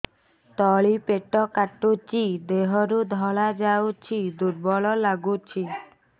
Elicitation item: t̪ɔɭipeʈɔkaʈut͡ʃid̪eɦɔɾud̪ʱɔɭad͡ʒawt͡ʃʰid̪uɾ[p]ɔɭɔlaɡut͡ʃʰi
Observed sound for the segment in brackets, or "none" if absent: b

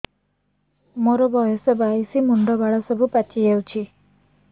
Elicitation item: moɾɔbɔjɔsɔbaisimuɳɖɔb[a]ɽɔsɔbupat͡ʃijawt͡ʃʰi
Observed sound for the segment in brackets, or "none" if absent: a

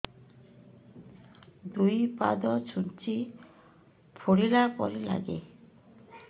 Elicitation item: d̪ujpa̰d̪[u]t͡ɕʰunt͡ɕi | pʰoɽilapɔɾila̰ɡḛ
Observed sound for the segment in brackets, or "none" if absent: ɔ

